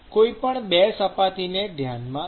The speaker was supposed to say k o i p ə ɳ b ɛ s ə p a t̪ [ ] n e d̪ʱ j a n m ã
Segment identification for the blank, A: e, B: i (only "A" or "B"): B